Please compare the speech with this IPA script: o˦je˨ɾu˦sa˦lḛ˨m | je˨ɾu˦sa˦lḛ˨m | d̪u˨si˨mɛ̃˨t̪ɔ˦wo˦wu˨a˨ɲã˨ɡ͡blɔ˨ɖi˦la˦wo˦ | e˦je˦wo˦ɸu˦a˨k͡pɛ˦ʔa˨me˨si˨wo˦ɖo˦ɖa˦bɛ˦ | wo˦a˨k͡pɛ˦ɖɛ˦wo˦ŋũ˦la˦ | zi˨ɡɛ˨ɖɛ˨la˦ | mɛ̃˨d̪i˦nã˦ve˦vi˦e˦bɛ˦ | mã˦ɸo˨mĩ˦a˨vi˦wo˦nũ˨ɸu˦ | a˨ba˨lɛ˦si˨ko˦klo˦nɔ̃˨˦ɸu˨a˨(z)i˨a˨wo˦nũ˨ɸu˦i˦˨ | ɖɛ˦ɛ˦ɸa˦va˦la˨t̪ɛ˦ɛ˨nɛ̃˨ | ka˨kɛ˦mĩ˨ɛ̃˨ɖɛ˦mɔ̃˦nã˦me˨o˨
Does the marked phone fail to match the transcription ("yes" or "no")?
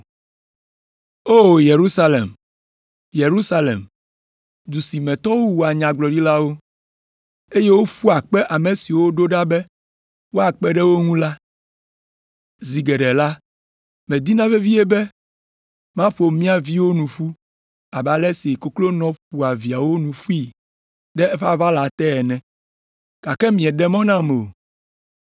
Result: yes